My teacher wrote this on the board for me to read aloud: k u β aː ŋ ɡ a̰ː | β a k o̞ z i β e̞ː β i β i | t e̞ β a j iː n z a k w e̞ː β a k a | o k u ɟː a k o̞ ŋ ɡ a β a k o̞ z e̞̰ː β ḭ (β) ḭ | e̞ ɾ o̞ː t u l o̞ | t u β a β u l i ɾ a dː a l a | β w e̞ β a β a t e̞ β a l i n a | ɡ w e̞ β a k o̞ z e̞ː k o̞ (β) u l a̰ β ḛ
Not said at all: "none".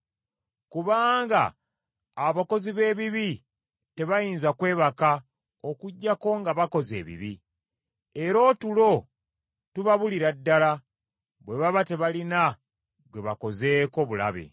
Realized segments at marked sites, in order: β, β

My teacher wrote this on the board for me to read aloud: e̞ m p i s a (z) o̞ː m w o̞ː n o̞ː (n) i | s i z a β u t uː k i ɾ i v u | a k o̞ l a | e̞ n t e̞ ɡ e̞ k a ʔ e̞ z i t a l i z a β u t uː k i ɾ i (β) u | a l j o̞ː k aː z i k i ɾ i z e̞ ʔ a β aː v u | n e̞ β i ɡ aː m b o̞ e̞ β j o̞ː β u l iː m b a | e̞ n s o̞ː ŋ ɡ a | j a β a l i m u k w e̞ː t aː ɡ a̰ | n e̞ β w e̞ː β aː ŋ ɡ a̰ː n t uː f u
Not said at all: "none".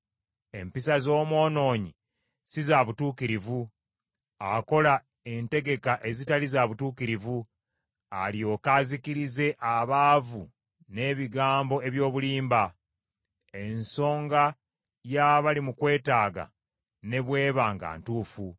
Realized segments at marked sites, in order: z, ɲ, v

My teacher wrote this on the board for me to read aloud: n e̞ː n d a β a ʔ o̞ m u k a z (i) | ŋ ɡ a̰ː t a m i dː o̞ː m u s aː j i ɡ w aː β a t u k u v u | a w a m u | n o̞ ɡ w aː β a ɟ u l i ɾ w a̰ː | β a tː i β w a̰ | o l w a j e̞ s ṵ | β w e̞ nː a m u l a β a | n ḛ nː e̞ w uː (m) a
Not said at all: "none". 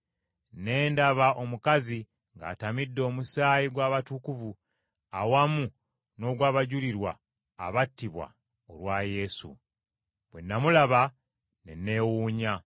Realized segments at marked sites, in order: i, ɲ

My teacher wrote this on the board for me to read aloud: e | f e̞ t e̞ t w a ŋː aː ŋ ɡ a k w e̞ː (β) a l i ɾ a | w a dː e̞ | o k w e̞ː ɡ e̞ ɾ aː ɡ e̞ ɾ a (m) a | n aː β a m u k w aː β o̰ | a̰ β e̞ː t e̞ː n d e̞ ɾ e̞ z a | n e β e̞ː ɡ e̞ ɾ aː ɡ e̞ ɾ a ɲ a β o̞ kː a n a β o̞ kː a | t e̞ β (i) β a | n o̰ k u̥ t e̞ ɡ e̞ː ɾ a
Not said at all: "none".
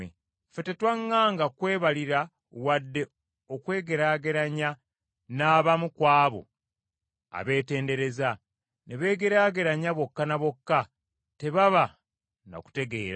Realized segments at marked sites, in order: β, ɲ, a

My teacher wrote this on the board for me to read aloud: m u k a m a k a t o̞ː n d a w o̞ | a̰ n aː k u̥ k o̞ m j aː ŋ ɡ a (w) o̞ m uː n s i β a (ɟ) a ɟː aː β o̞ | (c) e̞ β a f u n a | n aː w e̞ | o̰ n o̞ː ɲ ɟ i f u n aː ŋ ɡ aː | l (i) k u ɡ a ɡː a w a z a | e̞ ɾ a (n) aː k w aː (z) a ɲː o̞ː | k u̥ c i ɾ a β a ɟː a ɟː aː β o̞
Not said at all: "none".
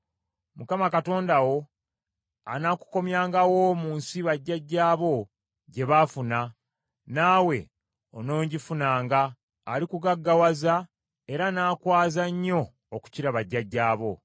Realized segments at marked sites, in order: w, ɟː, ɟ, i, n, z

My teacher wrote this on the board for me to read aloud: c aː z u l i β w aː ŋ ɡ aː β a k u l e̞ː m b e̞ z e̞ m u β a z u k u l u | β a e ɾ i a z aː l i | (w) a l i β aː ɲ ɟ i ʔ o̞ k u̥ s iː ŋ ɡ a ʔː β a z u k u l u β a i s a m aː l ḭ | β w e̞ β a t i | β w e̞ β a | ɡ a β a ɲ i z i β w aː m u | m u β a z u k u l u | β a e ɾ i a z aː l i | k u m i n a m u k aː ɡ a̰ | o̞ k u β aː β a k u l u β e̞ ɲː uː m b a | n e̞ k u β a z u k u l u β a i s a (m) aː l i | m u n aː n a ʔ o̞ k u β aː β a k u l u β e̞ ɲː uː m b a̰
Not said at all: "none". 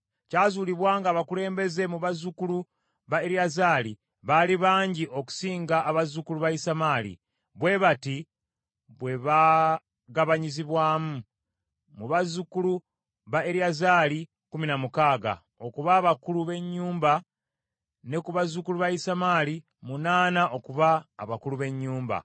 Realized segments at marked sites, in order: β, m

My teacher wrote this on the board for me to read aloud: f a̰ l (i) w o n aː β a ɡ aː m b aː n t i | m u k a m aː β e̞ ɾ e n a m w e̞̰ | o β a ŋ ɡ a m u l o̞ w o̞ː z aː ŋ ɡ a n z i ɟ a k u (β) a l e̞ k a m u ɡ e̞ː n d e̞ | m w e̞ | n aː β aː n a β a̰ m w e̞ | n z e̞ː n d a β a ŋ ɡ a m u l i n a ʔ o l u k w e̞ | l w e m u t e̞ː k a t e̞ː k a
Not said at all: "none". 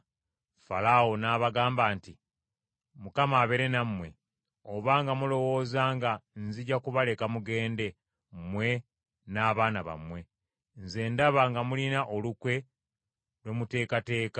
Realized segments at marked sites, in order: a, β

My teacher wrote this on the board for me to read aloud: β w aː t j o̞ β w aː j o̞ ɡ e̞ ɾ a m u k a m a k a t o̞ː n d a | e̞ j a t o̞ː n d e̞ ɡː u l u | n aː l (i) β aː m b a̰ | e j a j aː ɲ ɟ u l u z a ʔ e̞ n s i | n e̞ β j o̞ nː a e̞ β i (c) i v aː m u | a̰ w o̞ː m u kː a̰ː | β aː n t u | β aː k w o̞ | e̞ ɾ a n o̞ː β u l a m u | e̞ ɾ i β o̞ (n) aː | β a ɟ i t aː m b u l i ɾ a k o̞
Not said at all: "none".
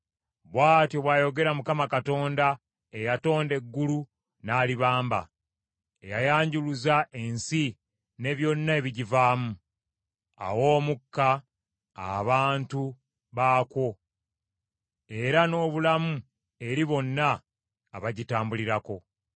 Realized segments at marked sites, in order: i, ɟ, nː

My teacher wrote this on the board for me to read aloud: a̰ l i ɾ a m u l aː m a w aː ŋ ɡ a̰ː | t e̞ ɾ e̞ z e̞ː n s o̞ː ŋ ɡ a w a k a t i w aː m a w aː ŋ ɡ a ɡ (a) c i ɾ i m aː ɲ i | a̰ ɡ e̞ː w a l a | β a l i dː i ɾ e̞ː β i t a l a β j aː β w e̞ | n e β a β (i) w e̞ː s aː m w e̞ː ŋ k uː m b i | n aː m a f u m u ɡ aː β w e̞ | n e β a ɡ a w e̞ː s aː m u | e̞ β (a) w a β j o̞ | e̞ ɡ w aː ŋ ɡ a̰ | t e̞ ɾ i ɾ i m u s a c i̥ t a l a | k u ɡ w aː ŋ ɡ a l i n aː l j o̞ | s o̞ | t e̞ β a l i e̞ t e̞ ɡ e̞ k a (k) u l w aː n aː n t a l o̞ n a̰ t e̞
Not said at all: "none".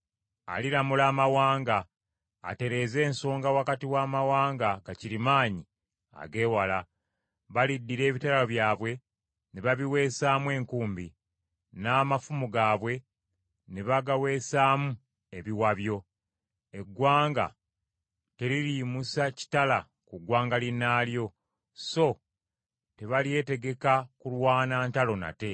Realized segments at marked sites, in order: a, i, i, k

